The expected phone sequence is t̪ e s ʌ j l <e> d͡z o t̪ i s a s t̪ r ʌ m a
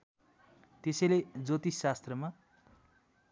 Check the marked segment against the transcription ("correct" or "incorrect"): correct